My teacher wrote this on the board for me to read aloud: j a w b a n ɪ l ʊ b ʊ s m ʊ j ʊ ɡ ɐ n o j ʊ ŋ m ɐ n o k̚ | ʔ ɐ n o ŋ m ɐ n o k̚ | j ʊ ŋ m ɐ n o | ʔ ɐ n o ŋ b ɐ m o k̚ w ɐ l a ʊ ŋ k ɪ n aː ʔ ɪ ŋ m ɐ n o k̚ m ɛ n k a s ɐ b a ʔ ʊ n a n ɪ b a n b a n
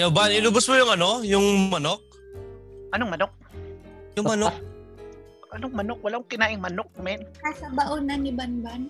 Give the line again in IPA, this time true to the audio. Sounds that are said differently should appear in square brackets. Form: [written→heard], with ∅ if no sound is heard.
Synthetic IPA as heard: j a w b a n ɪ l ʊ b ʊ s m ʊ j ʊ [ɡ→ŋ] ɐ n o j ʊ ŋ m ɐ n o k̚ | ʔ ɐ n o ŋ m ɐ n o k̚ | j ʊ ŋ m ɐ n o | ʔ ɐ n o ŋ [b→m] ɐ [m→n] o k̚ w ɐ l a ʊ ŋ k ɪ n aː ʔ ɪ ŋ m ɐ n o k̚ m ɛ n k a s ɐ b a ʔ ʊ n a n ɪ b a n b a n